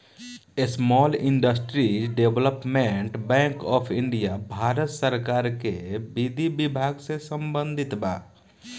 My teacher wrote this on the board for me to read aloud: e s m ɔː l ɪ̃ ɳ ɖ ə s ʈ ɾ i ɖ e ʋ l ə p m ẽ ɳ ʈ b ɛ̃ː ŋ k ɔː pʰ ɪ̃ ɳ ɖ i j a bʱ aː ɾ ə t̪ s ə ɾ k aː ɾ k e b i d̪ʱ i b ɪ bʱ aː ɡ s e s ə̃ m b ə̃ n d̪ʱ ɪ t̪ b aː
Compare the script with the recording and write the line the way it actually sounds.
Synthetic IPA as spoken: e s m ɔː l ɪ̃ ɳ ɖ ə s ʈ ɾ i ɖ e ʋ l ə p m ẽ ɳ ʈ b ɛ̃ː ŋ k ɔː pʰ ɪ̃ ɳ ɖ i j a bʱ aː ɾ ə t̪ s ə ɾ k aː ɾ k e b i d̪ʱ i b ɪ bʱ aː ɡ s e s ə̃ m b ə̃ n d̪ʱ ɪ t̪ b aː